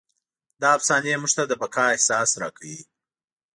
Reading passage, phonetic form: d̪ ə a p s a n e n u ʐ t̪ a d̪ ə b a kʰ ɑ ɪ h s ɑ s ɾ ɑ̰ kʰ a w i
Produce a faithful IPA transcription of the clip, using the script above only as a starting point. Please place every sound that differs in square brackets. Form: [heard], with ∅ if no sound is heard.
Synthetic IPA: d̪ [ɑ] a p s [ɑ] n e [m] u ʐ t̪ a d̪ ə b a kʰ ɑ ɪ h s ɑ s ɾ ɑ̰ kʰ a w i